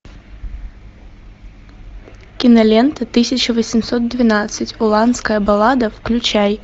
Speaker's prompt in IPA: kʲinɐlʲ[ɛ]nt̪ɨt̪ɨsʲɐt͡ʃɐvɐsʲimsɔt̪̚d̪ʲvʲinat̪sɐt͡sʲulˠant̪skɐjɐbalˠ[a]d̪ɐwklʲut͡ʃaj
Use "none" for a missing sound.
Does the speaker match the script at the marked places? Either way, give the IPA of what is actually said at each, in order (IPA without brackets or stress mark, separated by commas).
ɛ, a